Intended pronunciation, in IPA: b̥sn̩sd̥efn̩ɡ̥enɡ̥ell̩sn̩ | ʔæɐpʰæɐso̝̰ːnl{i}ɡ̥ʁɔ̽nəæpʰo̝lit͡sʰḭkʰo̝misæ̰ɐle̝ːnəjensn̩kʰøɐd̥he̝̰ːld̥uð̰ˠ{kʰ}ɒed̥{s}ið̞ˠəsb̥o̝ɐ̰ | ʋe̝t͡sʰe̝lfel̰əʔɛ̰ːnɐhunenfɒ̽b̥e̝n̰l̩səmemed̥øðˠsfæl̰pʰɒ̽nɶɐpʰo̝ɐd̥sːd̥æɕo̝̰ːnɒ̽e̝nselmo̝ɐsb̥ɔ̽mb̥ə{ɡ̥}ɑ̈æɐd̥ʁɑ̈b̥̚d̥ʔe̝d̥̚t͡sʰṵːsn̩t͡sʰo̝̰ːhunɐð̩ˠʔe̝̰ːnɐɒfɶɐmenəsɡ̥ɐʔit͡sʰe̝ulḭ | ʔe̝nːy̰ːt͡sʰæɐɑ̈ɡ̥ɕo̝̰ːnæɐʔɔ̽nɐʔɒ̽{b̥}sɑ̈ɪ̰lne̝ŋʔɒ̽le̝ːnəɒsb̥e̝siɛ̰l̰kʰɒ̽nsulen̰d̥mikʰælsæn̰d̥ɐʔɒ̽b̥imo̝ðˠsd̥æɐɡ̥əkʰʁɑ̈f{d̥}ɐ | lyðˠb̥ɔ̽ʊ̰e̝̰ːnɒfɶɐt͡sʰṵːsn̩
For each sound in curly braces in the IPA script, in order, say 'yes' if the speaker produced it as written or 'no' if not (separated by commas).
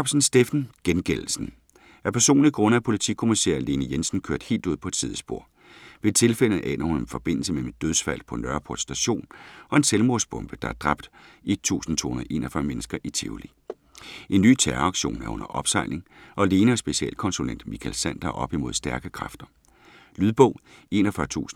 yes, no, yes, no, yes, yes